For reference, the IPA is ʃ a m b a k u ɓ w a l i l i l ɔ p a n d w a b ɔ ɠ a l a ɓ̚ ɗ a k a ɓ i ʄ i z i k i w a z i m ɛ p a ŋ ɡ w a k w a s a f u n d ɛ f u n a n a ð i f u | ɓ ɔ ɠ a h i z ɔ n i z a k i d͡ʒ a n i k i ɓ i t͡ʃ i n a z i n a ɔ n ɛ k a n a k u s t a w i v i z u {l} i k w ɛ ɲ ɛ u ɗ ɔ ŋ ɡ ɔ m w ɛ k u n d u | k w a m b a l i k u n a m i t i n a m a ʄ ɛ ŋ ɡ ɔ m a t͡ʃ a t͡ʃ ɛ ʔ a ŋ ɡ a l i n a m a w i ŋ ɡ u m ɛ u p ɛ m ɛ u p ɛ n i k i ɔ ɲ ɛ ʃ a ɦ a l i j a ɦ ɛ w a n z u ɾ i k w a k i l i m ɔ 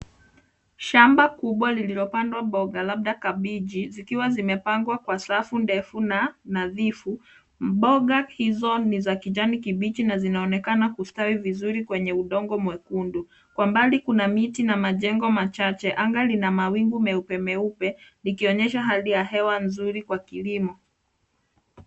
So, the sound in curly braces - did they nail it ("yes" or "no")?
no